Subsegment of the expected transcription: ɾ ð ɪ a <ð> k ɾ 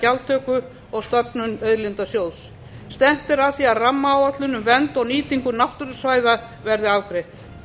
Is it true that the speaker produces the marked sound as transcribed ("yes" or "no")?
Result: no